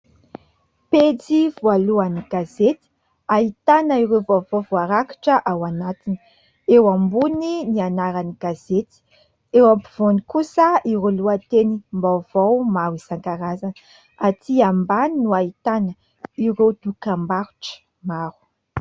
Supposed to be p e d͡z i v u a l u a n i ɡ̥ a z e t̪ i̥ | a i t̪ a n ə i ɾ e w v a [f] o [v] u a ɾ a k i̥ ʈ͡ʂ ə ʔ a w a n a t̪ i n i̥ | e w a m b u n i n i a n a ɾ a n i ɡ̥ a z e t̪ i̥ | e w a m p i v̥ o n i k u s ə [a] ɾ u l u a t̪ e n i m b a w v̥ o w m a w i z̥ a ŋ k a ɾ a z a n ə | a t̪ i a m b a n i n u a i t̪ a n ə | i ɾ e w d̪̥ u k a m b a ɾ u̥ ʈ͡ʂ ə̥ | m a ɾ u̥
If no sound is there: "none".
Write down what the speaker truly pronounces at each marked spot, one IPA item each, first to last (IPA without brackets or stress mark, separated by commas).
v, v, i